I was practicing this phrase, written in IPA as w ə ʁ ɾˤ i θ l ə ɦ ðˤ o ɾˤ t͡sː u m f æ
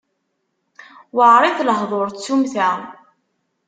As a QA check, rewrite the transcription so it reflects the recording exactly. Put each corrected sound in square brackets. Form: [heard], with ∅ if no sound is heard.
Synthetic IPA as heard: w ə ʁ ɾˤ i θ l ə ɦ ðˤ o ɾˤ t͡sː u m [θ] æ